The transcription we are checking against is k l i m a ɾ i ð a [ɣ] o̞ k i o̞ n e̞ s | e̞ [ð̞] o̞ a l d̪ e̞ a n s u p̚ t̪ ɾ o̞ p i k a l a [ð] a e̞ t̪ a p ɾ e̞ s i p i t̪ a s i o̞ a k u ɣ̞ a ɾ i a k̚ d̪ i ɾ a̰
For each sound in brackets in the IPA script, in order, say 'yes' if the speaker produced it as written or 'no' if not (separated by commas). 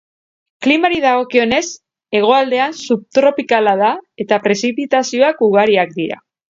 yes, no, yes